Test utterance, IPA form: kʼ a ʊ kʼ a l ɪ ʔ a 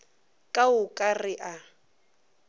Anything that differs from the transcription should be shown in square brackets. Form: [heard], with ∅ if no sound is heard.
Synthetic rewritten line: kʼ a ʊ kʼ a [r] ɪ ʔ a

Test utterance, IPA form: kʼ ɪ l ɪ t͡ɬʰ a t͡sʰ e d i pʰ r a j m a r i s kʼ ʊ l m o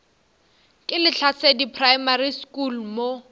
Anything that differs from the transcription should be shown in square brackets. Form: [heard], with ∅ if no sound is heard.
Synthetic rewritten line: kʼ ɪ l ɪ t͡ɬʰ a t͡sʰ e d i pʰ r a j m a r i s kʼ [u] l m o

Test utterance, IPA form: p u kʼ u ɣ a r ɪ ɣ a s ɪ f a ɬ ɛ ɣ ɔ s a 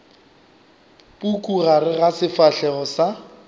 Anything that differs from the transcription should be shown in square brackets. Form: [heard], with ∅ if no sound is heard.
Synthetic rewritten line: p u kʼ u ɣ a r ɪ ɣ a s ɪ f a ɬ ɛ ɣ ɔ s a

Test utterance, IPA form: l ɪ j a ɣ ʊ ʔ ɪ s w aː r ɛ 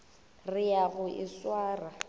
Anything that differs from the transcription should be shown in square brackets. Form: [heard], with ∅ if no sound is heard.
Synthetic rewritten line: [r] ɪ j a ɣ ʊ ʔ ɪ s w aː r [a]

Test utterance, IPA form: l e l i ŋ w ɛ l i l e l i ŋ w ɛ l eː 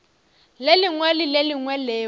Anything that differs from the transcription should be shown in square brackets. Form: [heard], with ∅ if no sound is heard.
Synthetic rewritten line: l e l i ŋ w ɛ l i l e l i ŋ w ɛ l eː

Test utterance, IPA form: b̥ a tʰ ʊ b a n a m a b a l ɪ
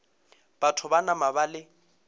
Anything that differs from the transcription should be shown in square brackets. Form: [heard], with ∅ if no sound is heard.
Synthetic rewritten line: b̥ a tʰ ʊ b a n a m a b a l ɪ

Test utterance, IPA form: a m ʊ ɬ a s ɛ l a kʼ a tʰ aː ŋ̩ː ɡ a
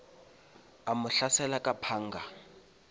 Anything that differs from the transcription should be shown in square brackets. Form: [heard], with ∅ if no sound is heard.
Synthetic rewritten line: a m ʊ ɬ a s ɛ l a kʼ a [pʰ] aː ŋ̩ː ɡ a

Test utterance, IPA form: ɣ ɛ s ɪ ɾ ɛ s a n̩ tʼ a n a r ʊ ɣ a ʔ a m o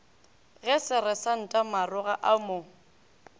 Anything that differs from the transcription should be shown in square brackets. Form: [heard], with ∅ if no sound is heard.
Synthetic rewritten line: ɣ ɛ s ɪ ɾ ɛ s a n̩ tʼ a [m] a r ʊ ɣ a ʔ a m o

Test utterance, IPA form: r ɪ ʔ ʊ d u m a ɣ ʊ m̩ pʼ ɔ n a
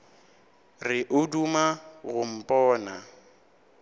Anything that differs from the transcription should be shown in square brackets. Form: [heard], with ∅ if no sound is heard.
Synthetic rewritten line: r ɪ ʔ ʊ d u m a ɣ ʊ m̩ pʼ [ɔː] n a

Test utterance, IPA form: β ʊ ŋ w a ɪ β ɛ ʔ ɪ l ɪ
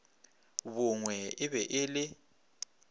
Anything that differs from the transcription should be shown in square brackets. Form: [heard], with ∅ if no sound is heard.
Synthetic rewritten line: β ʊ ŋ w [ɛ] ɪ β ɛ ʔ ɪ l ɪ

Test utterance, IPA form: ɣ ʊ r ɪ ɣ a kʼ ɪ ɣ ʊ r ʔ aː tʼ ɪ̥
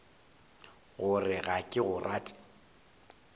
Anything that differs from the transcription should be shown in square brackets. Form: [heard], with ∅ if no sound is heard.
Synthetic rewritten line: ɣ ʊ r ɪ ɣ a kʼ ɪ ɣ ʊ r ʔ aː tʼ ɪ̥

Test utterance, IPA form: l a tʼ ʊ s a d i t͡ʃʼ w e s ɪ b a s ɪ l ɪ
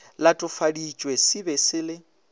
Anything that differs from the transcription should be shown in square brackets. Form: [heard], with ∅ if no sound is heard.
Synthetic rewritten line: l a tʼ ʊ [f] a d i t͡ʃʼ w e s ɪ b [ɛ] s ɪ l ɪ

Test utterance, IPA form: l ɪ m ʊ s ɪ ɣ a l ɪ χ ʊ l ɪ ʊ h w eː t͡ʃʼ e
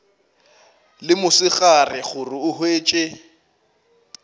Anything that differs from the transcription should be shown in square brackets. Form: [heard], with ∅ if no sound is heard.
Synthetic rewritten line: l ɪ m ʊ s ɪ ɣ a [r] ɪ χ ʊ [r] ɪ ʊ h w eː t͡ʃʼ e

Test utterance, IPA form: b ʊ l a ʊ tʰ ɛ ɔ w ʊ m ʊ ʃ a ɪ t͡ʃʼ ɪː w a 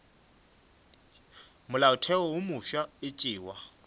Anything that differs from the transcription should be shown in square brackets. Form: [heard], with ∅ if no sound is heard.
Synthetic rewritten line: [m] ʊ l a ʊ tʰ ɛ ɔ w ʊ m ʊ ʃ a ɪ t͡ʃʼ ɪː w a

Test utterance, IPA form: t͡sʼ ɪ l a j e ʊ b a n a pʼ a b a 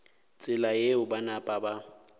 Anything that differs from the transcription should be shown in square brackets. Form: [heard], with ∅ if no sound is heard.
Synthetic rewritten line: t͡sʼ ɪ l a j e ʊ b a n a pʼ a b a

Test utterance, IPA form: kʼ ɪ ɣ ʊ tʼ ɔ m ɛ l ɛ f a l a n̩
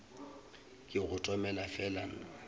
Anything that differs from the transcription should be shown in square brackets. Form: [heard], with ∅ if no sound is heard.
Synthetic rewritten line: kʼ ɪ ɣ ʊ tʼ ɔ m ɛ l [a] f [ɛ] l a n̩

